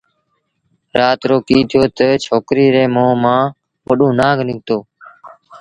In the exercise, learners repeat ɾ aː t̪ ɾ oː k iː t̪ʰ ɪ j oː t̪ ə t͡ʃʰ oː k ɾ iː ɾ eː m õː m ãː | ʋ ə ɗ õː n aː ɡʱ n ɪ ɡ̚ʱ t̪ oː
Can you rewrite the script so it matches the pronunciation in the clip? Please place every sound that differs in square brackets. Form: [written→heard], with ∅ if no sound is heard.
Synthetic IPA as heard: ɾ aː t̪ ɾ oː k iː t̪ʰ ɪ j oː t̪ ə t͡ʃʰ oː k ɾ iː ɾ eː m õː m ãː | ʋ ə ɗ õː n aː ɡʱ n ɪ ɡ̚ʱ t̪ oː